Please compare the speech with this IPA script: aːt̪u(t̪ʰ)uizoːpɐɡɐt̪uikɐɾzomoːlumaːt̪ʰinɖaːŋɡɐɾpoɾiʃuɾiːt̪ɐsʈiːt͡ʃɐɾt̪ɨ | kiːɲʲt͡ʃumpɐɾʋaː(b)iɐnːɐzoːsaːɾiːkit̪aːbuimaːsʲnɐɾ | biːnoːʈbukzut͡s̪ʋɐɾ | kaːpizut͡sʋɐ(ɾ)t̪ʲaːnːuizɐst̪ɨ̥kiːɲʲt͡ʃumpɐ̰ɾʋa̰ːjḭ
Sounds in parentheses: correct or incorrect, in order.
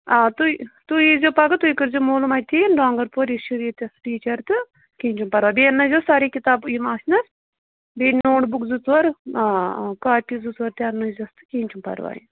incorrect: t̪, correct, correct

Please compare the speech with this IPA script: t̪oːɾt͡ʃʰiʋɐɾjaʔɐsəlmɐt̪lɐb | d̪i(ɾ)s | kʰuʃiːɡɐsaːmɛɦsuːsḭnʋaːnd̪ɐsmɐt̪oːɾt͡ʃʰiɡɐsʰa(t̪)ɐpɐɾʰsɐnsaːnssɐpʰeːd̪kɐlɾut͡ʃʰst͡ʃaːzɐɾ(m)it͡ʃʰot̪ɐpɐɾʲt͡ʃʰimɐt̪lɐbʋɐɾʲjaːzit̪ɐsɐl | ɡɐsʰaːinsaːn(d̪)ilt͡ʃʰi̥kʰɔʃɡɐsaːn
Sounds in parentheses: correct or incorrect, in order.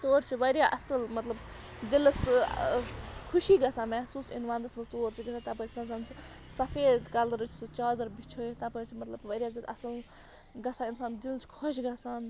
incorrect: l, correct, incorrect: b, correct

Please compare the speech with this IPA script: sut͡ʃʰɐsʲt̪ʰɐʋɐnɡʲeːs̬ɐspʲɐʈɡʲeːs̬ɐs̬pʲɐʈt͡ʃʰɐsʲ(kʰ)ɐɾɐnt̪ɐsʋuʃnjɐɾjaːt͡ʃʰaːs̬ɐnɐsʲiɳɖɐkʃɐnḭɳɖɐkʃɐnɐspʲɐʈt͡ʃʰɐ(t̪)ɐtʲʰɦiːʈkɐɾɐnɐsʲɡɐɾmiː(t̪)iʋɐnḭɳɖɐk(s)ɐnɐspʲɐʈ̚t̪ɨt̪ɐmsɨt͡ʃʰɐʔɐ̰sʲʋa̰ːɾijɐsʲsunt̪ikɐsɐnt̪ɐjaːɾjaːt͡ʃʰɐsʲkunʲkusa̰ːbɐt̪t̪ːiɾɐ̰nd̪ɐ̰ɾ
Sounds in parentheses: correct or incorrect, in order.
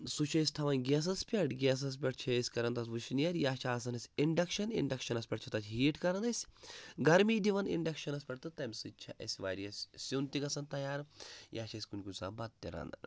incorrect: k, correct, incorrect: d̪, incorrect: ʃ

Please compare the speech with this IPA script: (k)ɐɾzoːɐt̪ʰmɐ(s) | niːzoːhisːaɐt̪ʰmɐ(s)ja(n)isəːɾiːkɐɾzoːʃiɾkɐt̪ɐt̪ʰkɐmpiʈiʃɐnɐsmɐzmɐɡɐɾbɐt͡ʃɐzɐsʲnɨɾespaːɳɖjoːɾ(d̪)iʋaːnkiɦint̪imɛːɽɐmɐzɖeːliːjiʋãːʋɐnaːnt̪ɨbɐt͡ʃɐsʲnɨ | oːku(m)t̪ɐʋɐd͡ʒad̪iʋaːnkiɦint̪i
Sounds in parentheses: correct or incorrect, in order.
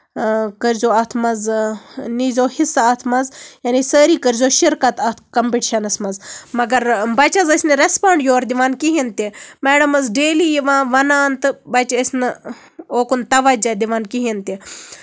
correct, incorrect: z, incorrect: z, correct, correct, incorrect: n

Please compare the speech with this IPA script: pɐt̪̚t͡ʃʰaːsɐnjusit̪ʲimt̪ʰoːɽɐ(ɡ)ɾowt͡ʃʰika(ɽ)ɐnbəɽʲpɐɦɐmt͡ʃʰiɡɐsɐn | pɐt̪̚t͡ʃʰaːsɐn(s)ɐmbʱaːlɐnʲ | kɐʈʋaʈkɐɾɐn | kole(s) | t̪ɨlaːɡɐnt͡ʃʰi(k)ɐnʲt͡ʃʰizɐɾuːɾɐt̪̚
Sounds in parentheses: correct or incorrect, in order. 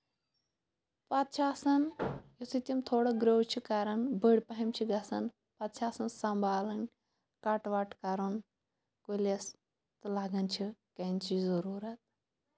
correct, incorrect: ɾ, correct, correct, correct

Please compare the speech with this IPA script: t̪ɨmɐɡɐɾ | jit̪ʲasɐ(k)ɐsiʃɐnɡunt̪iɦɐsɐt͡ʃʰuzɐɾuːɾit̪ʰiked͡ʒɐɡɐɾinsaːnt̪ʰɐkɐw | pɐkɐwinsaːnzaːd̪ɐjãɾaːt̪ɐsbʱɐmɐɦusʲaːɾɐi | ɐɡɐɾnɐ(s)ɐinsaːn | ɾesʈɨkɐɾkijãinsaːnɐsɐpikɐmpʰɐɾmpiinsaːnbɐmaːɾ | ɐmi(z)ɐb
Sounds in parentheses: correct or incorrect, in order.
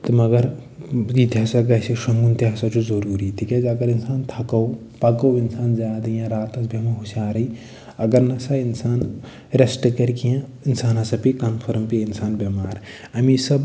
incorrect: ɡ, correct, incorrect: s

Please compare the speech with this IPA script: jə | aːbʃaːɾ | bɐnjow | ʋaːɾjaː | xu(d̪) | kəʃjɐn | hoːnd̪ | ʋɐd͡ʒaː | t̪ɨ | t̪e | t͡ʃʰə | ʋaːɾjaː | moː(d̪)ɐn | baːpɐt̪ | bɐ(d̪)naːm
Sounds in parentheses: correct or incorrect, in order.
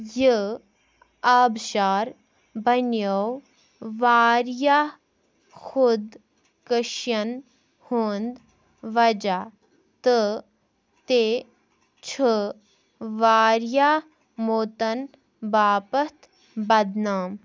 correct, incorrect: t̪, correct

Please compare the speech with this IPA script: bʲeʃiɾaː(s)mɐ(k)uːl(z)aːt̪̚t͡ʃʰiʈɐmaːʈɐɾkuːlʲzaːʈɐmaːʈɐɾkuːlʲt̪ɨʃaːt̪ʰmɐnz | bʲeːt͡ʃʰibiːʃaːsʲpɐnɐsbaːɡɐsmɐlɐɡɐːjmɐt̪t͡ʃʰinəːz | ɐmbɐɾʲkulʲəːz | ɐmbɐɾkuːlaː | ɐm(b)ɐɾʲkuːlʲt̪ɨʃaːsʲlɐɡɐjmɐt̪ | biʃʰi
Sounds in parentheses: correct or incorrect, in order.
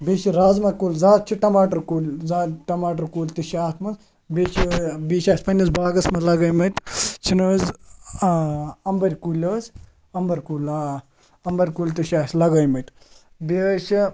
incorrect: z, correct, correct, correct

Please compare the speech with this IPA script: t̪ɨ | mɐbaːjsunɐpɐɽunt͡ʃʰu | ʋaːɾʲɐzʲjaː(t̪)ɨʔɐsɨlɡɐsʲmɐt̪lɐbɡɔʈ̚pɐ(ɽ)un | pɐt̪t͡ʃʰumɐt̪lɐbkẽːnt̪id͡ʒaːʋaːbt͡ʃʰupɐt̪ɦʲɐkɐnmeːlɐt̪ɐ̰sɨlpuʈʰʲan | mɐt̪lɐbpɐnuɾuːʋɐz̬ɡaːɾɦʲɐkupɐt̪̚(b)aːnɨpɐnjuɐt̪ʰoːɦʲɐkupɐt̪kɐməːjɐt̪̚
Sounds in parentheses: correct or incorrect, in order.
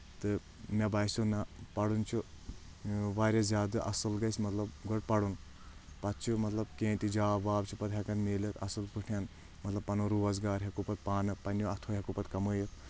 incorrect: d̪, correct, incorrect: p

